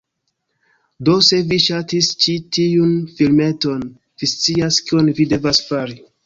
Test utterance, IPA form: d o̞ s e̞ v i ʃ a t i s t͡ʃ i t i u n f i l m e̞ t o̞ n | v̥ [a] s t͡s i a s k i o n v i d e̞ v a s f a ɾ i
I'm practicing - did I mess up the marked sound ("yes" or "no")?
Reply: yes